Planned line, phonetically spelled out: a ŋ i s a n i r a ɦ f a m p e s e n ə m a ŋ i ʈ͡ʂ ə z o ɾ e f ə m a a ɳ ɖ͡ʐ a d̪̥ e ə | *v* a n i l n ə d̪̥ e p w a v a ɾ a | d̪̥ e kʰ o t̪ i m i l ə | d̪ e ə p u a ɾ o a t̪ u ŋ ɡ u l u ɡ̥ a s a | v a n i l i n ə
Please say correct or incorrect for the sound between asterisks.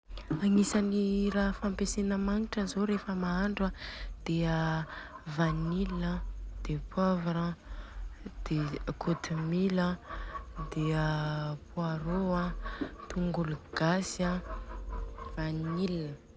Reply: correct